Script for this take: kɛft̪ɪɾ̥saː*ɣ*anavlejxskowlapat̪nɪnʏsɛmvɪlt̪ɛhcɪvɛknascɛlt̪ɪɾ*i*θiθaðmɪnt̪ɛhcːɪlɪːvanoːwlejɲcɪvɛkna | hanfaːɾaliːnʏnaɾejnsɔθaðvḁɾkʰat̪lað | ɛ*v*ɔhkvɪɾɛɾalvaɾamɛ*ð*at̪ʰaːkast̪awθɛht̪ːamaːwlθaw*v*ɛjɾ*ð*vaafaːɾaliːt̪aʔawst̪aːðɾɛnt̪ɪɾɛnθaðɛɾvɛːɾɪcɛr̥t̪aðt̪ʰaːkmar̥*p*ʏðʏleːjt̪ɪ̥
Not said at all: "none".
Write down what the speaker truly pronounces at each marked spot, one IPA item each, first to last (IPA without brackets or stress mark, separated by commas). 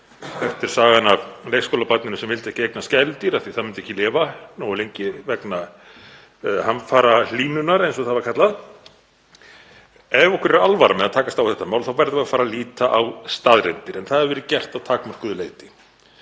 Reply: ɣ, a, v, ð, v, ð, k